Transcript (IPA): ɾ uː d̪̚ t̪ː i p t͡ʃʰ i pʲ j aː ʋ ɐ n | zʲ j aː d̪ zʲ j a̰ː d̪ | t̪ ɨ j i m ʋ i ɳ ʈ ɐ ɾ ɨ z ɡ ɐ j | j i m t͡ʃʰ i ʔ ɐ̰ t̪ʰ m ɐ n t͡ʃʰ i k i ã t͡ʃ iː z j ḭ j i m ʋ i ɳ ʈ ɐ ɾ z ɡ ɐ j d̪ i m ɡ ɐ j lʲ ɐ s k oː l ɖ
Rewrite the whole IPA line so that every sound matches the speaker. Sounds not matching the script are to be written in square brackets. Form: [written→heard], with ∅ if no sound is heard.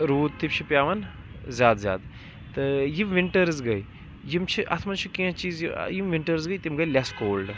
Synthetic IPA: ɾ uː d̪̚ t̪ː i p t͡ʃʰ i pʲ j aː ʋ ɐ n | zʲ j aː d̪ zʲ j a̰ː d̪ | t̪ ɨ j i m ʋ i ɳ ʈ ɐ ɾ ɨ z ɡ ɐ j | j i m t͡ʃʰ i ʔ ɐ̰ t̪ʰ m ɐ n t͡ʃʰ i k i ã t͡ʃ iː z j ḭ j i m ʋ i ɳ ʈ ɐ ɾ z ɡ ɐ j [d̪→t̪] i m ɡ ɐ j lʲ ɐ s k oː l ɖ

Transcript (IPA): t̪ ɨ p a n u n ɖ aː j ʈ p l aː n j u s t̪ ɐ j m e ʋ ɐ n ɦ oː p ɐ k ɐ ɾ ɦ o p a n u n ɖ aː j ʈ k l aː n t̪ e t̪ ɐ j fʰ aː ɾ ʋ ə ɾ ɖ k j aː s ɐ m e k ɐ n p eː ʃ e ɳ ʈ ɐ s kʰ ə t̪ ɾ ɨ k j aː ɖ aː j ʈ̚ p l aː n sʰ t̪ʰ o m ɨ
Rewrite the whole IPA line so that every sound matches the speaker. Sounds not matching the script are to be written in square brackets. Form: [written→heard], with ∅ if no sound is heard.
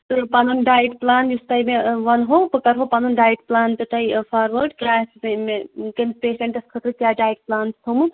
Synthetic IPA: t̪ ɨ p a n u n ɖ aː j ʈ p l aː n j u s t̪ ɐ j m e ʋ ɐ n ɦ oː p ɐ k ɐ ɾ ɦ o p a n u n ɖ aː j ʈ [k→p] l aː n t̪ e t̪ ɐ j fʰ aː ɾ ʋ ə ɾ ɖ k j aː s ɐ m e k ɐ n p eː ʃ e ɳ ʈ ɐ s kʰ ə t̪ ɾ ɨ k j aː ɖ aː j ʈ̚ p l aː n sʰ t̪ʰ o m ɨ

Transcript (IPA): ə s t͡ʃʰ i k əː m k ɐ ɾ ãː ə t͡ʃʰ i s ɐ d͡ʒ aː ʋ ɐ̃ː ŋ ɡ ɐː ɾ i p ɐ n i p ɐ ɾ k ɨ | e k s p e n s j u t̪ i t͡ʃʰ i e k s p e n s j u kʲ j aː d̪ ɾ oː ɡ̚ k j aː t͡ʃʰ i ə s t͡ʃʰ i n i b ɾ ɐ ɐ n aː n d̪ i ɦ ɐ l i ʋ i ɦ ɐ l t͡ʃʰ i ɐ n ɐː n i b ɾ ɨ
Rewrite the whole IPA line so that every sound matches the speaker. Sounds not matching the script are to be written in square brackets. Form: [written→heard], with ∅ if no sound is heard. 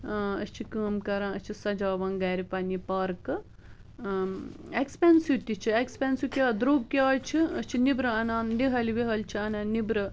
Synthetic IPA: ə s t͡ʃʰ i k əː m k ɐ ɾ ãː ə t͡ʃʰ i s ɐ d͡ʒ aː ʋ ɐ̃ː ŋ ɡ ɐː ɾ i p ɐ n i p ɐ ɾ k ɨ | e k s p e n s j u t̪ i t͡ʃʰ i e k s p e n s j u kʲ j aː d̪ ɾ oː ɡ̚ k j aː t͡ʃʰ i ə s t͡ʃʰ i n i b ɾ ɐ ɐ n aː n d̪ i ɦ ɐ l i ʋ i ɦ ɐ l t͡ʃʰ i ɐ n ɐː n i b ɾ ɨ

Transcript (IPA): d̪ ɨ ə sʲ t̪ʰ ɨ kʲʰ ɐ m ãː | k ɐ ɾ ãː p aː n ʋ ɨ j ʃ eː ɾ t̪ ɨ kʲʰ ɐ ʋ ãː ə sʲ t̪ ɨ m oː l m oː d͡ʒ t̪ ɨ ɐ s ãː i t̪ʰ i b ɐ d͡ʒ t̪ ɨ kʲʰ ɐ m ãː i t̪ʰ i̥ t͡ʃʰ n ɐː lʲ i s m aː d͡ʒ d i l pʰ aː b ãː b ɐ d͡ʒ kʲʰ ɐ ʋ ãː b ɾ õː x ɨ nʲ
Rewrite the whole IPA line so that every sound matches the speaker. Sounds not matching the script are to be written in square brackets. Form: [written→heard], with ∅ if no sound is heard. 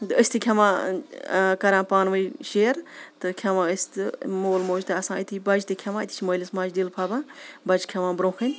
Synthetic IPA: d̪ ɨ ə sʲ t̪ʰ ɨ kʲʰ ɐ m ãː | k ɐ ɾ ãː p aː n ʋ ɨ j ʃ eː ɾ t̪ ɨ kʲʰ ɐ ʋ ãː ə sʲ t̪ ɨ m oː l m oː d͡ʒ t̪ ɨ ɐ s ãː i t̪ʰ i b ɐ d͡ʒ t̪ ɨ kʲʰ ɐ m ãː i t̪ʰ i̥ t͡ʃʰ [n→m] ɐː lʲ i s m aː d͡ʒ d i l pʰ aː b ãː b ɐ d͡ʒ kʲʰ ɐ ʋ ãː b ɾ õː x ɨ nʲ

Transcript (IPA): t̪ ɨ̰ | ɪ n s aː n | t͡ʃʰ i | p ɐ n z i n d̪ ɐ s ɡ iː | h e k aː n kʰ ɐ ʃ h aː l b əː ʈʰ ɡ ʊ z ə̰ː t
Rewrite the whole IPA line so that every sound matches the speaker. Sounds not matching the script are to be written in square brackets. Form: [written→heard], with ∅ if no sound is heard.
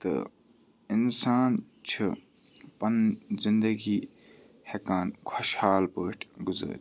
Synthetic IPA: t̪ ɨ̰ | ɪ n s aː n | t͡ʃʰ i | p ɐ n z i n d̪ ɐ [s→∅] ɡ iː | h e k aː n kʰ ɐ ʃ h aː l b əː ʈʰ ɡ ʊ z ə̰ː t

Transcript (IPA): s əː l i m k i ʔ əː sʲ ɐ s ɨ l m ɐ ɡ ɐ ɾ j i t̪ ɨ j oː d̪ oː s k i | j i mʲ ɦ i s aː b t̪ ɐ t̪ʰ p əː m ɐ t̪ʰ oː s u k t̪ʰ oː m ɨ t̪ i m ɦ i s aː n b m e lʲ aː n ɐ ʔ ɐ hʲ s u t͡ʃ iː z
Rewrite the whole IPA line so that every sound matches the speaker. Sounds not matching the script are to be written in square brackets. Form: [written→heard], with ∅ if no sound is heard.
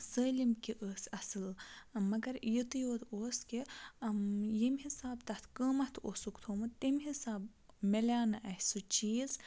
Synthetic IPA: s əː l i m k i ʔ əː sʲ ɐ s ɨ l m ɐ ɡ ɐ ɾ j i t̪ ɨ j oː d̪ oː s k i | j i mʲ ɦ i s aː b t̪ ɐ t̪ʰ [p→k] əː m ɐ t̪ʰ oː s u k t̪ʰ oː m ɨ t̪ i m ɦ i s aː [n→∅] b m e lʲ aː n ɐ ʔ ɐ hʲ s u t͡ʃ iː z

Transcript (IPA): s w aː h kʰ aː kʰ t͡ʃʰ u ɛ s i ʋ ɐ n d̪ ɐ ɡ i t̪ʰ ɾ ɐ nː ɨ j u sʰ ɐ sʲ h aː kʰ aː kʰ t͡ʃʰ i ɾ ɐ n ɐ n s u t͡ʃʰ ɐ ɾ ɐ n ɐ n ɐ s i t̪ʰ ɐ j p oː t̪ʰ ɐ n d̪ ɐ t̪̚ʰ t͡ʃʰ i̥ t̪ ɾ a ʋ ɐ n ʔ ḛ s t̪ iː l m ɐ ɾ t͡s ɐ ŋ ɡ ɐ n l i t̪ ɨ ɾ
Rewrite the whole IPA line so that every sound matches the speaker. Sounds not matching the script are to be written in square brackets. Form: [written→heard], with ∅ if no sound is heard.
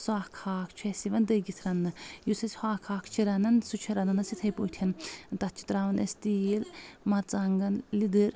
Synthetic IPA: s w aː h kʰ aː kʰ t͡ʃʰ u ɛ s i ʋ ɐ n d̪ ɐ ɡ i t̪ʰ ɾ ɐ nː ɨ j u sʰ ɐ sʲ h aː kʰ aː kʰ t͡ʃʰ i ɾ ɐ n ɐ n s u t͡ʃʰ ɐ ɾ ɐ n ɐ n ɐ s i t̪ʰ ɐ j p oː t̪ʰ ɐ n [d̪→t̪] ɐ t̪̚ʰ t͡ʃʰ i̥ t̪ ɾ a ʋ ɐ n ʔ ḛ s t̪ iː l m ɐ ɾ t͡s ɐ ŋ ɡ ɐ n l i [t̪→d̪] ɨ ɾ

